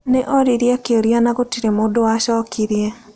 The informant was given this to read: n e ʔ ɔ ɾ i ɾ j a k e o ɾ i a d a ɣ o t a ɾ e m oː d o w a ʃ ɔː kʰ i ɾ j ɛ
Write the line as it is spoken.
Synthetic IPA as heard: n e ʔ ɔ ɾ i ɾ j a k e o ɾ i a n a ɣ o t i ɾ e m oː d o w a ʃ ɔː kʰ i ɾ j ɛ